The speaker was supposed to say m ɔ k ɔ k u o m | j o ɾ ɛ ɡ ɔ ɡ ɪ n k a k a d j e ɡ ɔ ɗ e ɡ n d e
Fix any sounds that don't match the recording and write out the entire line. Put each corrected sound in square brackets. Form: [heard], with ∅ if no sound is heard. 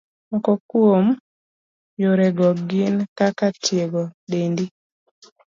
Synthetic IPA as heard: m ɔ k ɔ k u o m | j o ɾ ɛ ɡ ɔ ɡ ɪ n k a k a [t] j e ɡ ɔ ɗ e [∅] n d [i]

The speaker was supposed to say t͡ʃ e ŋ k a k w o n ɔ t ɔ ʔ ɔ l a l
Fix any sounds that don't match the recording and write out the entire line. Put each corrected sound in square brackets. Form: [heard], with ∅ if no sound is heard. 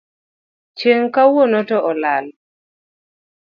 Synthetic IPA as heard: t͡ʃ e ŋ k a [∅] w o n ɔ t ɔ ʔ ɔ l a l

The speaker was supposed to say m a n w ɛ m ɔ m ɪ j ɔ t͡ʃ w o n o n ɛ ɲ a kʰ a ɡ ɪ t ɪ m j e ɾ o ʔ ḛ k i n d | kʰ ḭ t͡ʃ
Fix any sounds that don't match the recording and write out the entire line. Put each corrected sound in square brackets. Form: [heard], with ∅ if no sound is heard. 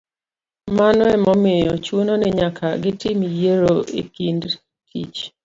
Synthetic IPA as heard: m a n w ɛ m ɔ m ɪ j ɔ t͡ʃ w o n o n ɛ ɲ a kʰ a ɡ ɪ t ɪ m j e ɾ o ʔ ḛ k i n d | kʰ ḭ t͡ʃ

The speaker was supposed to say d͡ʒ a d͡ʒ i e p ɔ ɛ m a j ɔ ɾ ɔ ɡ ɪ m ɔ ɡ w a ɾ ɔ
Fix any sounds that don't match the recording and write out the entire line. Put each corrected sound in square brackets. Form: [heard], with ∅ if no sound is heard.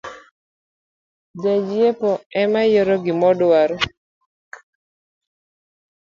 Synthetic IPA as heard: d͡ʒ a d͡ʒ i e p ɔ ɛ m a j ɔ ɾ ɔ ɡ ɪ m ɔ [d] w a ɾ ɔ

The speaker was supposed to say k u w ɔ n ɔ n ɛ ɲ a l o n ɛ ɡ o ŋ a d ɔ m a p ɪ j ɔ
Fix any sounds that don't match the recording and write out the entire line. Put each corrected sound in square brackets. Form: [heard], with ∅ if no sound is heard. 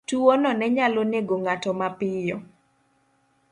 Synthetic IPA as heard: [t] u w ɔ n ɔ n ɛ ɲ a l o n [e] ɡ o ŋ a [t] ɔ m a p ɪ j ɔ

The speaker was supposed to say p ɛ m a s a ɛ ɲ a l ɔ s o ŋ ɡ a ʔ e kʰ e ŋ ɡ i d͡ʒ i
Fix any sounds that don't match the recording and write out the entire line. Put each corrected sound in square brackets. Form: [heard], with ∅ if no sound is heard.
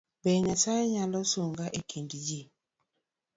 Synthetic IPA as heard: [b] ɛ [ɲ] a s a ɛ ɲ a l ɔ s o ŋ ɡ a ʔ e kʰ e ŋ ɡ i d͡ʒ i

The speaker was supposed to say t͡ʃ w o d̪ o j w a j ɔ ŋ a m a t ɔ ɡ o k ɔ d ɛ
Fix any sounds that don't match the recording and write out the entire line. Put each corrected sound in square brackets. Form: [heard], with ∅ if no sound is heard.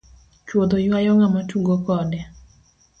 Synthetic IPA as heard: t͡ʃ w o d̪ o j w a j ɔ ŋ a m a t [u] ɡ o k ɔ d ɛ

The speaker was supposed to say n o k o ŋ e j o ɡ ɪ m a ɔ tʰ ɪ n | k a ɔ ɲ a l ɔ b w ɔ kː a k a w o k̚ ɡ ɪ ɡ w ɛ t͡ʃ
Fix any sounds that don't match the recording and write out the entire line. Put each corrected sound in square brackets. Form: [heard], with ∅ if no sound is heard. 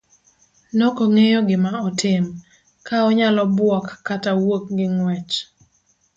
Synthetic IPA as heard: n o k o ŋ e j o ɡ ɪ m a ɔ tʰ ɪ [m] | k a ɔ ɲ a l ɔ b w ɔ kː a [t] a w o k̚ ɡ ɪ [ŋ] w ɛ t͡ʃ

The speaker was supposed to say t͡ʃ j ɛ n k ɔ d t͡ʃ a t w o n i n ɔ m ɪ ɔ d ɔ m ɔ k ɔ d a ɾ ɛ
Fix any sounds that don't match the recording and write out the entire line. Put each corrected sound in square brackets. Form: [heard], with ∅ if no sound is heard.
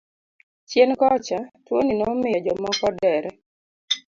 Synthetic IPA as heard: t͡ʃ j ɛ n k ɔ [∅] t͡ʃ a t w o n i n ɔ m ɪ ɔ [d͡ʒ] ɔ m ɔ k ɔ d [ɛ] ɾ ɛ

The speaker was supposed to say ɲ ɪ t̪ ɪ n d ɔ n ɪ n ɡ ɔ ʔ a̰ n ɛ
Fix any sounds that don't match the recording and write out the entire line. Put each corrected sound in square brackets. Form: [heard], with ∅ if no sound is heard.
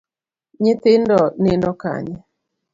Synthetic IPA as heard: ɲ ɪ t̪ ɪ n d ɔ n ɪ n [d] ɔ [k] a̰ [ɲ] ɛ

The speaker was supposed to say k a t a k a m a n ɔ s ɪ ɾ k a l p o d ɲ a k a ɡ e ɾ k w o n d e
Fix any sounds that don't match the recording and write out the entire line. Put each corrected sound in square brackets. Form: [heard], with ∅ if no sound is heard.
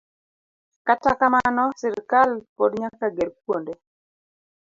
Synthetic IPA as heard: k a t a k a m a n ɔ s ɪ ɾ k a l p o d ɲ a k a ɡ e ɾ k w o n d e

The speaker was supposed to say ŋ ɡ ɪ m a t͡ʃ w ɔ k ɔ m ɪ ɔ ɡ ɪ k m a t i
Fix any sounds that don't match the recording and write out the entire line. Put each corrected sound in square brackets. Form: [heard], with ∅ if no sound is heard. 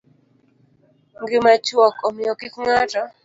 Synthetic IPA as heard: ŋ ɡ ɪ m a t͡ʃ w ɔ k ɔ m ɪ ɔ [k] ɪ k [ŋ] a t [a]

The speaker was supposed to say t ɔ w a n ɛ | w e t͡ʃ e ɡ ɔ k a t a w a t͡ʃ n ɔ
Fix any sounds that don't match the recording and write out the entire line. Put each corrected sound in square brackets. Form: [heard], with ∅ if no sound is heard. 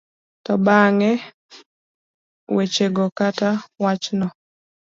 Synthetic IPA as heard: t ɔ [b] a [ŋ] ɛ | w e t͡ʃ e ɡ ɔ k a t a w a t͡ʃ n ɔ

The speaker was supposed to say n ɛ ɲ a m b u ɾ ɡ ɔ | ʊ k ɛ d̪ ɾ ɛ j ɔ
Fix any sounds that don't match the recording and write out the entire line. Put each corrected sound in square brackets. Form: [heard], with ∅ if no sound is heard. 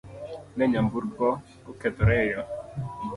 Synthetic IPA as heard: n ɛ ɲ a m b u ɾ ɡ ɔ | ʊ k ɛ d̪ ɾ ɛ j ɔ

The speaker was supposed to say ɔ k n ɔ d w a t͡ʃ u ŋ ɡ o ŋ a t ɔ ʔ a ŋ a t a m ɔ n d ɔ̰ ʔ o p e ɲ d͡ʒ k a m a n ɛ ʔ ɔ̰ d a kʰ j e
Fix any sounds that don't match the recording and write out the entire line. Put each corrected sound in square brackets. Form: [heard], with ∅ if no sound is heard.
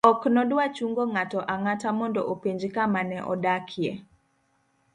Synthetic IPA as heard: ɔ k n ɔ d w a t͡ʃ u ŋ ɡ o ŋ a t ɔ ʔ a ŋ a t a m ɔ n d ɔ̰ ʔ o p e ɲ d͡ʒ k a m a n ɛ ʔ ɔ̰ d a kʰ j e

